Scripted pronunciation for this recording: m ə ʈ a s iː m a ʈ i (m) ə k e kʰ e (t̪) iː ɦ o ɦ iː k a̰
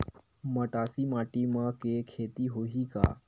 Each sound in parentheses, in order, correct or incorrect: correct, correct

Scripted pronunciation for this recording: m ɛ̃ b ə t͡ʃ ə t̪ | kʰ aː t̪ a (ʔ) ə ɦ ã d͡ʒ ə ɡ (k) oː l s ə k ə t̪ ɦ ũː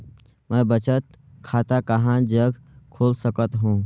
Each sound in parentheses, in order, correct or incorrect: incorrect: k, incorrect: kʰ

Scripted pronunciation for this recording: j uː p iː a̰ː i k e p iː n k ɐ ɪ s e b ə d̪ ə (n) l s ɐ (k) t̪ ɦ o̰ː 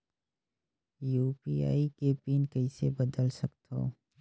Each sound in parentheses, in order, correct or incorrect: incorrect: none, correct

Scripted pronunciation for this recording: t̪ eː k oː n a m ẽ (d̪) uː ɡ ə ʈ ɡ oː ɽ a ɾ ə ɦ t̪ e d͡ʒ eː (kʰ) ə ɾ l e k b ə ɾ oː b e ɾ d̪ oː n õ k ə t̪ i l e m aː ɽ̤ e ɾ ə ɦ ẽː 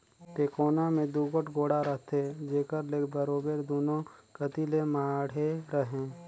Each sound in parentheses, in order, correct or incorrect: correct, incorrect: k

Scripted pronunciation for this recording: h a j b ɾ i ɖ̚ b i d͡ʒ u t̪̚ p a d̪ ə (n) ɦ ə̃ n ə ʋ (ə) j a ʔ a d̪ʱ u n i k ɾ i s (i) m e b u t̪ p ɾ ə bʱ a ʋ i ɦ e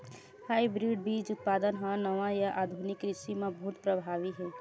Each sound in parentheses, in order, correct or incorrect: correct, incorrect: a, correct

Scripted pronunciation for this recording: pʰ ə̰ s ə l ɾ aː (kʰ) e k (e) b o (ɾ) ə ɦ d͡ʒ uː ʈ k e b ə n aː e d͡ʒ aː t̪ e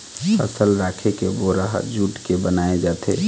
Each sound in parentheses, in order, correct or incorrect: correct, correct, correct

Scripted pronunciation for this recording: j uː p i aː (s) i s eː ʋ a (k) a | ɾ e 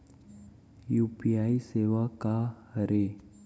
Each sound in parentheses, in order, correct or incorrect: incorrect: none, correct

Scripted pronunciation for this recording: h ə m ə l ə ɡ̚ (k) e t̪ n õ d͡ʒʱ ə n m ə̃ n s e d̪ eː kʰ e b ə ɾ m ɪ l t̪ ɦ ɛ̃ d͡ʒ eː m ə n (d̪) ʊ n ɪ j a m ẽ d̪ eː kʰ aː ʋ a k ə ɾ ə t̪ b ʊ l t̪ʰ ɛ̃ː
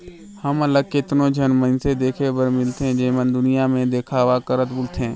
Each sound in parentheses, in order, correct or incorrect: correct, correct

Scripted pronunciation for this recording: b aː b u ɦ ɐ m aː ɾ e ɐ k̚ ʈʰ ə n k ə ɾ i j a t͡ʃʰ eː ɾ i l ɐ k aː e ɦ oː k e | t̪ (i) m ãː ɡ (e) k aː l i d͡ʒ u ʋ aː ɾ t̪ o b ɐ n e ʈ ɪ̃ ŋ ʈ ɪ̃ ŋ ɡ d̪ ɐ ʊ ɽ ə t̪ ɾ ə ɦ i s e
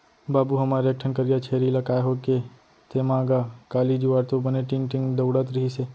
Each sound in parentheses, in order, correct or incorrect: incorrect: e, incorrect: a

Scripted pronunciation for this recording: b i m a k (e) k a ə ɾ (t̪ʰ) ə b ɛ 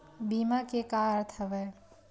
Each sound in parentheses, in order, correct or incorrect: correct, correct

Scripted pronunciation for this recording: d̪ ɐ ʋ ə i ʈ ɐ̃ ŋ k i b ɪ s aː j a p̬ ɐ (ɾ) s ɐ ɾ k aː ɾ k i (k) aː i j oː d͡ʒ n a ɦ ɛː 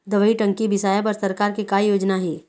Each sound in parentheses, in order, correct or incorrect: correct, correct

